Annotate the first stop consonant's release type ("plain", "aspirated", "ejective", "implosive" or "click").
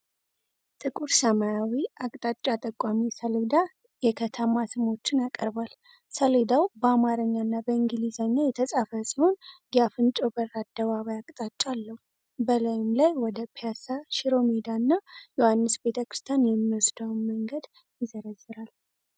ejective